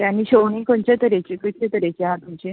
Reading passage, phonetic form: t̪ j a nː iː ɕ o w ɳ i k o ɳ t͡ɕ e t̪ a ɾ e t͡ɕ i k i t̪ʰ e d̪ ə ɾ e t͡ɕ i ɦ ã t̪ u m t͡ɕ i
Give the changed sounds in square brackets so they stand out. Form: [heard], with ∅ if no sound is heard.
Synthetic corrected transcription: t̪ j a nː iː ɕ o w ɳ i k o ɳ t͡ɕ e t̪ [ə] ɾ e t͡ɕ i k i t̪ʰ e [t̪] ə ɾ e t͡ɕ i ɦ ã t̪ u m t͡ɕ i